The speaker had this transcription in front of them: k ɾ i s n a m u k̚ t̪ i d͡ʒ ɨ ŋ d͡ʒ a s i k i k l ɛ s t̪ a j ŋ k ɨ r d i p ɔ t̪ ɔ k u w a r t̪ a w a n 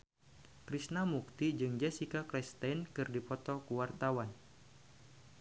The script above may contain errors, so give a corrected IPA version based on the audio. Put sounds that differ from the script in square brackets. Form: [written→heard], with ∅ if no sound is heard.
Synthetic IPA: k ɾ i s n a m u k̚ t̪ i d͡ʒ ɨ ŋ d͡ʒ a s i k [i→a] k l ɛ s t̪ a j [ŋ→n] k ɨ r d i p ɔ t̪ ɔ k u w a r t̪ a w a n